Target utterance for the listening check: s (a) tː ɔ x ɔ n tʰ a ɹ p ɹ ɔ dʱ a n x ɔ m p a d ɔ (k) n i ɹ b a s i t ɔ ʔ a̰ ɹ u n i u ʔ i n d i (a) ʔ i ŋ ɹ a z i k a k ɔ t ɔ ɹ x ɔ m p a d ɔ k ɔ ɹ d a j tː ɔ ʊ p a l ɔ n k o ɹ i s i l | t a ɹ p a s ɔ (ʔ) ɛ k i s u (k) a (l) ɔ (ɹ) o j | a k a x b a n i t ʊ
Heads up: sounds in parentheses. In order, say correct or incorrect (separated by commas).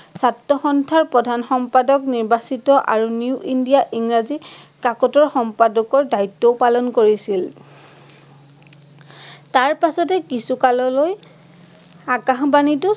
correct, correct, correct, incorrect, correct, correct, incorrect